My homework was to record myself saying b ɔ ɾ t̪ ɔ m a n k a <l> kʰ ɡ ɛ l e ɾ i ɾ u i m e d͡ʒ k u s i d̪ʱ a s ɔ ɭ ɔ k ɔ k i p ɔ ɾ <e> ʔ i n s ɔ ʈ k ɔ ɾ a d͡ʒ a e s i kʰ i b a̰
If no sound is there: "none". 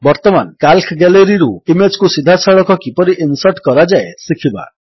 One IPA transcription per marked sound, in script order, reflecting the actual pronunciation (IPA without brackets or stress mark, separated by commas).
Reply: l, i